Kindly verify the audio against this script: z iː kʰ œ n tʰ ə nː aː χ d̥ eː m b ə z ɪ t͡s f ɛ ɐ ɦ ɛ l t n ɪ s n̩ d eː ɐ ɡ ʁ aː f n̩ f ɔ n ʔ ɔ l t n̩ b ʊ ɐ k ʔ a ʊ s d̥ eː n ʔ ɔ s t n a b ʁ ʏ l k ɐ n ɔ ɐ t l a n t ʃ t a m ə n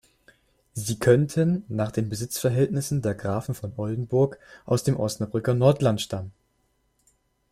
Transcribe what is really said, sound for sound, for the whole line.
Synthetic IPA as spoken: z iː kʰ œ n tʰ ə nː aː χ d̥ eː n b ə z ɪ t͡s f ɛ ɐ ɦ ɛ l t n ɪ s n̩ d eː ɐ ɡ ʁ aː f n̩ f ɔ n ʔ ɔ l d n̩ b ʊ ɐ k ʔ a ʊ s d̥ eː m ʔ ɔ s t n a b ʁ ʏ k ɐ n ɔ ɐ t l a n t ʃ t a m ə n